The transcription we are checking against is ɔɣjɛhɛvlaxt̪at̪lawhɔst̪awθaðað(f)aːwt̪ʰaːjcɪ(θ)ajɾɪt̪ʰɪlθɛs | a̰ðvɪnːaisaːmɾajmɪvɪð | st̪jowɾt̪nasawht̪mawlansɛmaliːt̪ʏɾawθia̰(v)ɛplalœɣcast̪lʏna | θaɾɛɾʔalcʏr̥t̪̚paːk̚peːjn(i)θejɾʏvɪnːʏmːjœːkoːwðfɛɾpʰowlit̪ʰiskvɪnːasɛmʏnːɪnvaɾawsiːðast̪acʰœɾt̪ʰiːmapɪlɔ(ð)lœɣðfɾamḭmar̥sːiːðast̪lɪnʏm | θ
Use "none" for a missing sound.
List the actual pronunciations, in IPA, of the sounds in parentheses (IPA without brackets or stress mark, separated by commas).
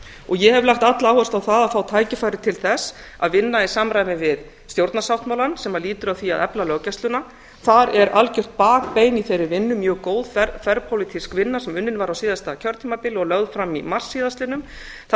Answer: f, f, ð, i, ɣ